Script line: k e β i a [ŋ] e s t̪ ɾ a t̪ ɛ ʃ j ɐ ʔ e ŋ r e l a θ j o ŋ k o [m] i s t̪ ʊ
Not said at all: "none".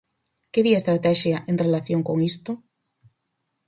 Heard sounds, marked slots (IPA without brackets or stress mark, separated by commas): none, ŋ